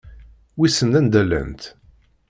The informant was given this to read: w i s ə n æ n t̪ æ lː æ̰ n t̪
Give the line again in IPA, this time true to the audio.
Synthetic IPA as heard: w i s ə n æ n d̪ æ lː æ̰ n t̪